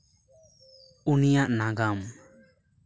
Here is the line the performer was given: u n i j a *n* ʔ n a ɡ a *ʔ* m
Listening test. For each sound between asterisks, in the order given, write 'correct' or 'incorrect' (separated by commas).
incorrect, incorrect